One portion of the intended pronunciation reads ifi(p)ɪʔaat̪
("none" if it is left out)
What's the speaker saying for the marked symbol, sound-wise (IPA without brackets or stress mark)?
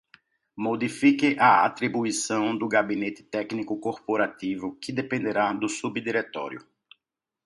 k